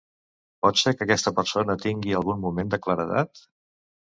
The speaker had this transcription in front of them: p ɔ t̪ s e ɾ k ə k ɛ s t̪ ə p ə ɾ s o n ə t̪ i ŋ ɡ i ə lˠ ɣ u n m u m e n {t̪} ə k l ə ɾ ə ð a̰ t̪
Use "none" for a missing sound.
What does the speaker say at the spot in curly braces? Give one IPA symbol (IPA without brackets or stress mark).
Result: d̪